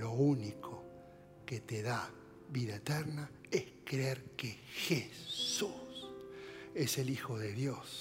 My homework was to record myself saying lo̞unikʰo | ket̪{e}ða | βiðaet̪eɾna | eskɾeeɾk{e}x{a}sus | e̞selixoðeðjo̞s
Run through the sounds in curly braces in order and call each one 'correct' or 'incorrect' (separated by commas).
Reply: correct, correct, incorrect